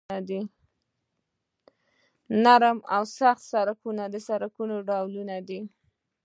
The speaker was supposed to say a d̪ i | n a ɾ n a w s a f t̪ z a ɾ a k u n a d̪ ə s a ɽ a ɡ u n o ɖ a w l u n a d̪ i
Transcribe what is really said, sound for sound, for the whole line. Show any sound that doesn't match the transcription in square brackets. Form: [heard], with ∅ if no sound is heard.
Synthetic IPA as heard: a d̪ i | n a ɾ [m] a w s a [x] t̪ [s] a ɾ a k u n a d̪ ə s a [ɾ] a [k] u n o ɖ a w l u n a d̪ i